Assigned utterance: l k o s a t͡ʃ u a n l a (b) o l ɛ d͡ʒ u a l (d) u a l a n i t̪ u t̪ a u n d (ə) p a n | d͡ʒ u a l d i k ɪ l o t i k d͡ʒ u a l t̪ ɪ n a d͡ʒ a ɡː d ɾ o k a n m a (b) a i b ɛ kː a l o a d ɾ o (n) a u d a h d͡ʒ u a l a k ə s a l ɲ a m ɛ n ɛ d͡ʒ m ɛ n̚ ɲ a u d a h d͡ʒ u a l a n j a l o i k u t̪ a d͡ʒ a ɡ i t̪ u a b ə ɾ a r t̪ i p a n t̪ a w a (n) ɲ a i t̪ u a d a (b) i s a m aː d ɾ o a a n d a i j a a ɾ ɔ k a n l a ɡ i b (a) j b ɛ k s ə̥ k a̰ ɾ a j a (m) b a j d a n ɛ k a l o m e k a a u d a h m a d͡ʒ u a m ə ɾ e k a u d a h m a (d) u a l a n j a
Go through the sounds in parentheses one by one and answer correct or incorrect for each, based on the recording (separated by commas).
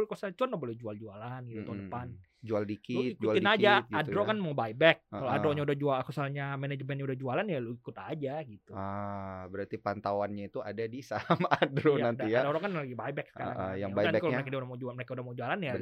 correct, incorrect, correct, correct, incorrect, correct, incorrect, correct, incorrect, incorrect